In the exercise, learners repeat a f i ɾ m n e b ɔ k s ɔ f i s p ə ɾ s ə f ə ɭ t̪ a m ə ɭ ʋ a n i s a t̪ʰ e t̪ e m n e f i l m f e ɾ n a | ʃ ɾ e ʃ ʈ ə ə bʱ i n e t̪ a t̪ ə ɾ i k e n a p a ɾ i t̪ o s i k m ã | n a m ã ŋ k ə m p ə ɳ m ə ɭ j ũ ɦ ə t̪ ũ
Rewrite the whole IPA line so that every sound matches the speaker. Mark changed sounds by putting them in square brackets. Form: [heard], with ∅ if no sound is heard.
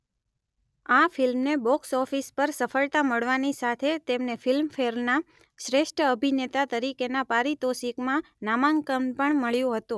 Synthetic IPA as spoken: a f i [l] m n e b ɔ k s ɔ f i s p ə ɾ s ə f ə ɭ t̪ a m ə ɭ ʋ a n i s a t̪ʰ e t̪ e m n e f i l m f e ɾ n a | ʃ ɾ e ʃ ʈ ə ə bʱ i n e t̪ a t̪ ə ɾ i k e n a p a ɾ i t̪ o s i k m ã | n a m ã ŋ k ə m p ə ɳ m ə ɭ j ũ ɦ ə t̪ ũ